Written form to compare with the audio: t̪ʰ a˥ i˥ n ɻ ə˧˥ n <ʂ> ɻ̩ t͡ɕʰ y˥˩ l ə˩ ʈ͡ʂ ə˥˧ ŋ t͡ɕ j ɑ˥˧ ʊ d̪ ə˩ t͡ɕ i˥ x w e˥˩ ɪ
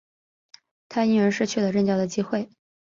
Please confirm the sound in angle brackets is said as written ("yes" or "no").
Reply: yes